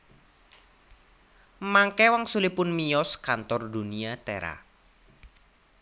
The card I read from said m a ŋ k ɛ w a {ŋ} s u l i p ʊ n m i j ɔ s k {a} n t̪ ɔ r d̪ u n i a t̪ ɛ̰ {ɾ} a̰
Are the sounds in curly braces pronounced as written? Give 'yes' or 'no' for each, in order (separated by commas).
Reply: yes, yes, yes